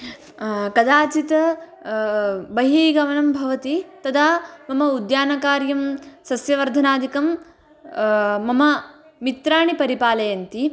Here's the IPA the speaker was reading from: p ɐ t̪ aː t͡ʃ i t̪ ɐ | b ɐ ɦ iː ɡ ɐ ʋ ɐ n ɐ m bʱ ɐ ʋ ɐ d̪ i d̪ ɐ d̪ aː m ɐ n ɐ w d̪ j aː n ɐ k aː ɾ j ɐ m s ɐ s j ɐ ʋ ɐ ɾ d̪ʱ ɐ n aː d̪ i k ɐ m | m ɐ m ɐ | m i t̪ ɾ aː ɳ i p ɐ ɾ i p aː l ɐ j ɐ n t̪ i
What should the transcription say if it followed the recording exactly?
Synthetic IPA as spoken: k ɐ d̪ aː t͡ʃ i t̪ ɐ | b ɐ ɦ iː ɡ ɐ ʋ ɐ n ɐ m bʱ ɐ ʋ ɐ t̪ i t̪ ɐ d̪ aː m ɐ m ɐ u d̪ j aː n ɐ k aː ɾ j ɐ m s ɐ s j ɐ ʋ ɐ ɾ d̪ʱ ɐ n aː d̪ i k ɐ m | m ɐ m ɐ | m i t̪ ɾ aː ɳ i p ɐ ɾ i p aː l ɐ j ɐ n t̪ i